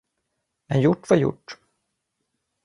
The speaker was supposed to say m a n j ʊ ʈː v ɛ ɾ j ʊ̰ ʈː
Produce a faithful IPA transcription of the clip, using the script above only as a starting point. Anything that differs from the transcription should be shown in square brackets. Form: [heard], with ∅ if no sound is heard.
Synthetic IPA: m [ɛ] n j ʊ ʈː v [a] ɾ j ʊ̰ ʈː

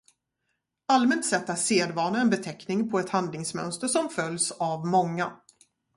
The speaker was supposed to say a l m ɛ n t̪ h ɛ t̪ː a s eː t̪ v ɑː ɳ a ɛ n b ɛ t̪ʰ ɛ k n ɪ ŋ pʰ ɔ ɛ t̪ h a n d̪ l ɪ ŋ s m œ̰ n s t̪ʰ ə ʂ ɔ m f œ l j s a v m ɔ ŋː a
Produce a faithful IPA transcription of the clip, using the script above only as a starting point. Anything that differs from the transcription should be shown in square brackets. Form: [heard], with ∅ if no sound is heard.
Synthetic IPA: a l m ɛ n t̪ [s] ɛ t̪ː a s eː [d̪] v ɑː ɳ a ɛ n b ɛ t̪ʰ ɛ k n ɪ ŋ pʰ ɔ ɛ t̪ h a n d̪ l ɪ ŋ s m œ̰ n s [t̪] ə ʂ ɔ m f œ l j s a v m ɔ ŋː a

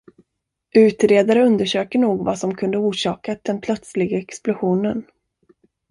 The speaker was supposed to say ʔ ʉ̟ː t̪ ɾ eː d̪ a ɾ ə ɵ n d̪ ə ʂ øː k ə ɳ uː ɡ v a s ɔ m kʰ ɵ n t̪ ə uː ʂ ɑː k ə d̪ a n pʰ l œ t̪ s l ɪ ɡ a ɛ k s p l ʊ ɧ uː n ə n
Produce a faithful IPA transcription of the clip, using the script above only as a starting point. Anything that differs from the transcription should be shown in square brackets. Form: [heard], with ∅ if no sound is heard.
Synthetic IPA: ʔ ʉ̟ː t̪ ɾ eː d̪ a ɾ ə ɵ n d̪ ə ʂ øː k ə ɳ uː ɡ v a s ɔ m kʰ ɵ n [d̪] ə uː ʂ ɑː k [a] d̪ [ɛ] n pʰ l œ t̪ s l ɪ ɡ a ɛ k s p l ʊ ɧ uː n ə n

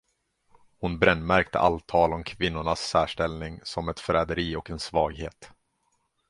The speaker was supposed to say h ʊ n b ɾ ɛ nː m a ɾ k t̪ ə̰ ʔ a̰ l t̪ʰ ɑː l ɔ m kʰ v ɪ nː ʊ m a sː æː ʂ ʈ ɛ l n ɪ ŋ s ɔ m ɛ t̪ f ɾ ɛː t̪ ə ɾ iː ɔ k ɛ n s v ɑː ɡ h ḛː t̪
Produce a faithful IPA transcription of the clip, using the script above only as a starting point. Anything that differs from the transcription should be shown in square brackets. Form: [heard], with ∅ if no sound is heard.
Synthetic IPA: h ʊ n b ɾ ɛ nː m [æ] ɾ k t̪ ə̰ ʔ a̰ l t̪ʰ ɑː l ɔ m kʰ v ɪ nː ʊ [ɳ] a sː æː ʂ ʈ ɛ l n ɪ ŋ s ɔ m ɛ t̪ f ɾ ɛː [d̪] ə ɾ iː ɔ k ɛ n s v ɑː ɡ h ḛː t̪

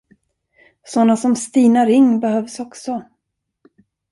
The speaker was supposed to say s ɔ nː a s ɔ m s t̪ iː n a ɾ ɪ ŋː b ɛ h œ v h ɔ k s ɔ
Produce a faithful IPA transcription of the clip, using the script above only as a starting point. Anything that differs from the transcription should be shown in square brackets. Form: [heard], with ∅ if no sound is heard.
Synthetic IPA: s ɔ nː a s ɔ m s t̪ iː n a ɾ ɪ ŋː b ɛ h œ v [s] ɔ k s ɔ

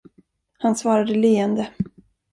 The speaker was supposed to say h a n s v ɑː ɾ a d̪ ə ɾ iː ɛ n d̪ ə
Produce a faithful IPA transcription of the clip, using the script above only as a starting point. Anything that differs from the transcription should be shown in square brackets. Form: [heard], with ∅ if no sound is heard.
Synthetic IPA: h a n s v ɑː ɾ a d̪ ə [l] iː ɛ n d̪ ə

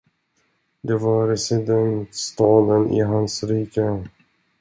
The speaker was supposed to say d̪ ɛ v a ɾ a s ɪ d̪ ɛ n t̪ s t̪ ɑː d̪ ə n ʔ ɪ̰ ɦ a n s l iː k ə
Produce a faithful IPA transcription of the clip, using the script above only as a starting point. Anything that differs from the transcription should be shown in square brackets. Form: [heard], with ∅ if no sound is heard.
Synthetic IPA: d̪ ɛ v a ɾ [ɛ] s ɪ d̪ ɛ n t̪ s t̪ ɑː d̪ ə n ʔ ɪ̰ ɦ a n s [ɾ] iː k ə

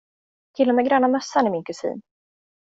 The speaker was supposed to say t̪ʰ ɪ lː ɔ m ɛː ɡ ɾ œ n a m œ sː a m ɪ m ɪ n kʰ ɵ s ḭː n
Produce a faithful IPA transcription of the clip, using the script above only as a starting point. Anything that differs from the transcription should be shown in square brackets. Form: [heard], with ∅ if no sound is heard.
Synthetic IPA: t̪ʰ ɪ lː ɔ m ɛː ɡ ɾ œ n a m œ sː a [n] ɪ m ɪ n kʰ ɵ s ḭː n

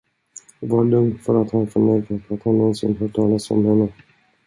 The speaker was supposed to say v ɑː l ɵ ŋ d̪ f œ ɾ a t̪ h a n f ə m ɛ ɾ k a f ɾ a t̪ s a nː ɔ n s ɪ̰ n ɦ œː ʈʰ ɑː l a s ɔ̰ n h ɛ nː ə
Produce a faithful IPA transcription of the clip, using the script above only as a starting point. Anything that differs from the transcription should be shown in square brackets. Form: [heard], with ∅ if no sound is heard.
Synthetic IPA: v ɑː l ɵ ŋ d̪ f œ ɾ a t̪ h a n f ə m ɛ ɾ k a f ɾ a t̪ [h] a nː ɔ n s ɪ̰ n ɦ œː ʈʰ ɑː l a s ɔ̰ [m] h ɛ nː ə

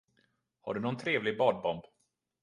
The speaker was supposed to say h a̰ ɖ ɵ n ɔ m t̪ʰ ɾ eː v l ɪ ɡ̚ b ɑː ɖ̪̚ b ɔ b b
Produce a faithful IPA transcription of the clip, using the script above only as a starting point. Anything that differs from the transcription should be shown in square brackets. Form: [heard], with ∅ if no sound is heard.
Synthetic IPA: h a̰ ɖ ɵ n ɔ [n] t̪ʰ ɾ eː v l ɪ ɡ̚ b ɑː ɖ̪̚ b ɔ [m] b

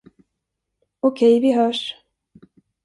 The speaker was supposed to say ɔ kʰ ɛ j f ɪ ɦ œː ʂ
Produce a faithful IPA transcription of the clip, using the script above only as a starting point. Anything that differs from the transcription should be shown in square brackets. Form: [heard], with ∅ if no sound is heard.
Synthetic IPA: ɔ kʰ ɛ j [v] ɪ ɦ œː ʂ

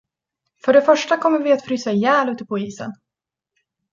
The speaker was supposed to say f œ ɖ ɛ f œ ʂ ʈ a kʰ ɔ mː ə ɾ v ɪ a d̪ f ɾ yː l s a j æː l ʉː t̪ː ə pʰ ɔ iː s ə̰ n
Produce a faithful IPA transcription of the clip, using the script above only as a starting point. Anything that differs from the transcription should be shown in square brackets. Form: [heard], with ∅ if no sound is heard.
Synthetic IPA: f œ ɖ ɛ f œ ʂ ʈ a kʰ ɔ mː ə ɾ v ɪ a [t̪] f ɾ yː [∅] s a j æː l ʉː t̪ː ə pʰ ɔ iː s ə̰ n

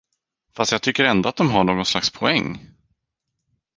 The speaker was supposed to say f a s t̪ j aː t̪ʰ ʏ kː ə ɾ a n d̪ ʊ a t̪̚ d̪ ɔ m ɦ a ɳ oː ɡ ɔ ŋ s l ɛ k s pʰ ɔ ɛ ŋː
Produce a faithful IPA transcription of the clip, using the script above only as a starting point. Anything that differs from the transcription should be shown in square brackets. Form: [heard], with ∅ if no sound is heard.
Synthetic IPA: f a s t̪ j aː t̪ʰ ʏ kː ə ɾ [ɛ] n d̪ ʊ a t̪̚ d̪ ɔ m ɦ a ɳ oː ɡ ɔ [n] s l [a] k s pʰ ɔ ɛ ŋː

